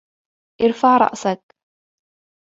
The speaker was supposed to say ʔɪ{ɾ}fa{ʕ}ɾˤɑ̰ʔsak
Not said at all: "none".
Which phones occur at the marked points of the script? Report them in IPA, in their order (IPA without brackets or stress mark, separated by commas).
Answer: ɾ, ʕ